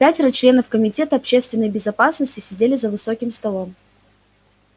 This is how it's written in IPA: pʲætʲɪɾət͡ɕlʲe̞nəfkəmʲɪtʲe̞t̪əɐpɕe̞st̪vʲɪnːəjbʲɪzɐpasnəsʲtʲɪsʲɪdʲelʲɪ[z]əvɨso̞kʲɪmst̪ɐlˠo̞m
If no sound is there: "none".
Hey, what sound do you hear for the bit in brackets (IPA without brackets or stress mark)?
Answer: z